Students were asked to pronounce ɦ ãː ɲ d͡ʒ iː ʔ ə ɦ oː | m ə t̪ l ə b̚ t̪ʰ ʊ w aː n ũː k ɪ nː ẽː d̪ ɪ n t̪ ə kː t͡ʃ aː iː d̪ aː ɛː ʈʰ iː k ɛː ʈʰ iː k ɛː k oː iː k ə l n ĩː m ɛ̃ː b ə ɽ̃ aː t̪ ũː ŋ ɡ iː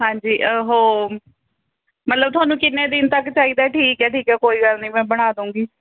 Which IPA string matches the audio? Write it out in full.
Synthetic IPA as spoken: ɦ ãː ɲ d͡ʒ iː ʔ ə ɦ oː | m ə t̪ l ə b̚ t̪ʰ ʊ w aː n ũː k ɪ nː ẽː d̪ ɪ n t̪ ə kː t͡ʃ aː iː d̪ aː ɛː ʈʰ iː k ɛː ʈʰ iː k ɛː k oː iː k ə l n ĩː m ɛ̃ː b ə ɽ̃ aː d̪ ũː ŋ ɡ iː